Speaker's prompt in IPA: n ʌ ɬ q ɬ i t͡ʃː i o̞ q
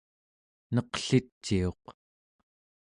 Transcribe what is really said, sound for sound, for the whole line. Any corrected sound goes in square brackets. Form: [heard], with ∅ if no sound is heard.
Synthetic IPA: n ʌ [∅] q ɬ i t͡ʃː i o̞ q